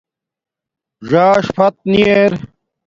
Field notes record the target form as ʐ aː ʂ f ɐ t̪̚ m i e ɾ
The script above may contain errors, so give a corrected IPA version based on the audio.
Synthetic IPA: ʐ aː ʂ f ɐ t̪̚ n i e ɾ